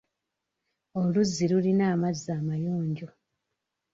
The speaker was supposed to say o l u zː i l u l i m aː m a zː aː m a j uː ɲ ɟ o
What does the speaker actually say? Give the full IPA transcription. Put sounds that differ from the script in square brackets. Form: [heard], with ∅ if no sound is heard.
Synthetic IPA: o l u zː i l u l i [n] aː m a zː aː m a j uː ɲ ɟ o

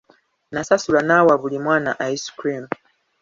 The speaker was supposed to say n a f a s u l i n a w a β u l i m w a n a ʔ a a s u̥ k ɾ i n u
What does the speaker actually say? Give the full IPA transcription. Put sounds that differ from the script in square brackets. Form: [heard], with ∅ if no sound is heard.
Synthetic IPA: n a [s] a s u l [a] n a w a β u l i m w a n a ʔ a [i] s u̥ k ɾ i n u

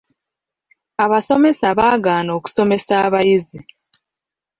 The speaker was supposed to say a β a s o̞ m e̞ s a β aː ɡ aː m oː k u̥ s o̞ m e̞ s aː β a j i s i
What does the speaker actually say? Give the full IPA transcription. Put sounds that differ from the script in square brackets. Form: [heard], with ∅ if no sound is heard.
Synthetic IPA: a β a s o̞ m e̞ s a β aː ɡ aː [n] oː k u̥ s o̞ m e̞ s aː β a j i [z] i

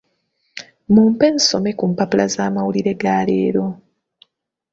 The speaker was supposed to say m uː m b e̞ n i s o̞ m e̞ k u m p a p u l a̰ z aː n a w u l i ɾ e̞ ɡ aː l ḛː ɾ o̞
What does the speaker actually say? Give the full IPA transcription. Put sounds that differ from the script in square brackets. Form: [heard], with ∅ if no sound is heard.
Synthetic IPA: m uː m [p] e̞ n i s o̞ m e̞ k u m p a p u l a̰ z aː [m] a w u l i ɾ e̞ ɡ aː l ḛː ɾ o̞

